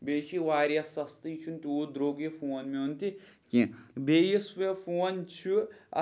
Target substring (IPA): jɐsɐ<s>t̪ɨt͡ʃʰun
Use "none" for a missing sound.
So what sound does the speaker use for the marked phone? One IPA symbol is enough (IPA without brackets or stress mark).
s